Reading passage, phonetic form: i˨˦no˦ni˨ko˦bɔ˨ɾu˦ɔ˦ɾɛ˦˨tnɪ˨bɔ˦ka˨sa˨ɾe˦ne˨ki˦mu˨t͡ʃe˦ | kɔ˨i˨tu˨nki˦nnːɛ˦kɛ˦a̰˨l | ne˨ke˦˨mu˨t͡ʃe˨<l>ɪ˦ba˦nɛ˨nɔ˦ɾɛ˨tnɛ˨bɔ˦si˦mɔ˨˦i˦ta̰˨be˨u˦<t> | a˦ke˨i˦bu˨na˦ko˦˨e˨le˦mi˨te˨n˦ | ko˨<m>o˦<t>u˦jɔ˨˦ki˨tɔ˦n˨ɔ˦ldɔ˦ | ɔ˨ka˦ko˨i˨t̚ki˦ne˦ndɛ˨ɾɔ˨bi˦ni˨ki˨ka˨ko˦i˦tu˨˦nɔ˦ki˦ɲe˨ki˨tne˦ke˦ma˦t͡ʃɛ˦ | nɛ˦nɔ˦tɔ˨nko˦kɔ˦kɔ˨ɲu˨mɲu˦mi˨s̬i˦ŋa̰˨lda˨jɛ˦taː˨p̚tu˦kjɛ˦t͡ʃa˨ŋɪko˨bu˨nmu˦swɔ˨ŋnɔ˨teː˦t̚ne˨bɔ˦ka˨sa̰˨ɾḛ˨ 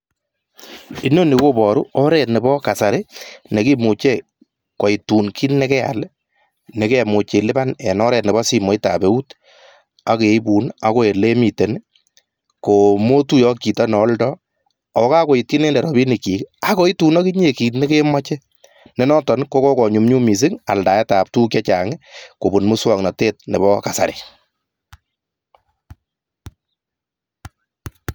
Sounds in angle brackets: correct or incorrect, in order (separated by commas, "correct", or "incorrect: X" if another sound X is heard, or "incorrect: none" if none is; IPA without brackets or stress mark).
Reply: correct, correct, correct, correct